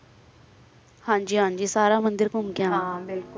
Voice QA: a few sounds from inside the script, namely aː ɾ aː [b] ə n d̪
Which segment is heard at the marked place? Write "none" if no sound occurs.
m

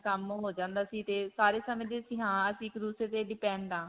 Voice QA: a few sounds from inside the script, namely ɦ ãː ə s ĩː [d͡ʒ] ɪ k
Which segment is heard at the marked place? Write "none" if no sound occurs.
none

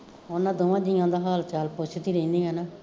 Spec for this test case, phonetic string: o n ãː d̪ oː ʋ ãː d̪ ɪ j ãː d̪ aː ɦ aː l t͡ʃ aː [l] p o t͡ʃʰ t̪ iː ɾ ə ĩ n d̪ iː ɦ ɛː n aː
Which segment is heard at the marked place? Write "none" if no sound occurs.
l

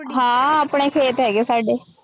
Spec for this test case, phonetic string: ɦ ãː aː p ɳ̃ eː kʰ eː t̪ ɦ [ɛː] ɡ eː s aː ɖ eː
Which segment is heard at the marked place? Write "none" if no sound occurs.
ɛː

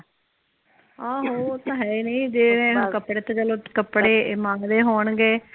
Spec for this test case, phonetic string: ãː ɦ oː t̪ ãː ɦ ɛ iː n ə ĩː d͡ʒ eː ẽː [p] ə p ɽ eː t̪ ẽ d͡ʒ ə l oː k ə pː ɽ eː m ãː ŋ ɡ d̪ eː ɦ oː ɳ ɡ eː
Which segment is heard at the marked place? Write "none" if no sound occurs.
k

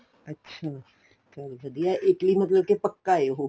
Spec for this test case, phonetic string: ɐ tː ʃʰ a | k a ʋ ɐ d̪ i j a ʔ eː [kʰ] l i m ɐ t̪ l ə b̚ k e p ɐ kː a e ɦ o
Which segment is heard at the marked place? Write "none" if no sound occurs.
k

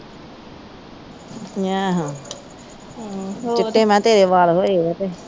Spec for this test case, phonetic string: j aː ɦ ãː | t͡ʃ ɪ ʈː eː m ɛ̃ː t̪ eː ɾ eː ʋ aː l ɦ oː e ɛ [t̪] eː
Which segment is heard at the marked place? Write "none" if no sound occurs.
t̪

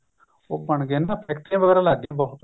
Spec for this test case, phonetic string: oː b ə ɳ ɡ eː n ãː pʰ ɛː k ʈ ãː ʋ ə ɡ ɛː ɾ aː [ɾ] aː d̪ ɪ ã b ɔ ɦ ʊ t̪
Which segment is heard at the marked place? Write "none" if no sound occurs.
l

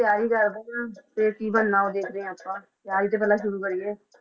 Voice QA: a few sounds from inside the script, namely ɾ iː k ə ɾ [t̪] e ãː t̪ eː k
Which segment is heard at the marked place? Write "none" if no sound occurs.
d̪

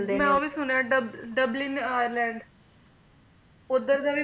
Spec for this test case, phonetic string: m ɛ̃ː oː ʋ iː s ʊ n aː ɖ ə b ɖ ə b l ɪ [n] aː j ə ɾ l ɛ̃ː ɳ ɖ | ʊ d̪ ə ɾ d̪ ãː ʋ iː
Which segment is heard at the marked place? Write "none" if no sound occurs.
n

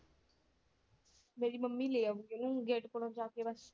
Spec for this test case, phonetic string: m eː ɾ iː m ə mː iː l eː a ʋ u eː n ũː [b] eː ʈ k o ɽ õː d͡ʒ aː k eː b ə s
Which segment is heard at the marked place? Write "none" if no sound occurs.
ɡ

